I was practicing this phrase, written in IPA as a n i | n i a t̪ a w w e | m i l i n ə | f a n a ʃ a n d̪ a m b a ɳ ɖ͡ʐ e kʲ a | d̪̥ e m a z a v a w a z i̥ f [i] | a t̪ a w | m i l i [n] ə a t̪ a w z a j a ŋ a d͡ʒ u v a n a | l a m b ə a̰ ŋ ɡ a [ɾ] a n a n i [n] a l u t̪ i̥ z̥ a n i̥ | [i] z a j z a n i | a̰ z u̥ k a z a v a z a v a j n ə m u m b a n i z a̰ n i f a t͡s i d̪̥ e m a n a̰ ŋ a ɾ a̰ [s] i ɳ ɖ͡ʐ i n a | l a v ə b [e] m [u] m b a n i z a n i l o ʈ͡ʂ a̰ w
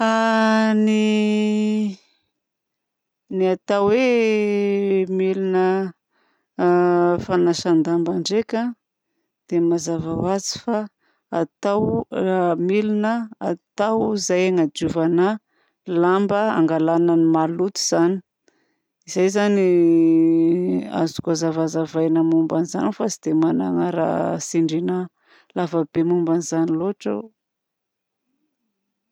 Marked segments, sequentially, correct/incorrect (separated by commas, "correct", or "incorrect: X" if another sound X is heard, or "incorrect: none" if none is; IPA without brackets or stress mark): incorrect: a, correct, incorrect: l, incorrect: m, correct, correct, correct, correct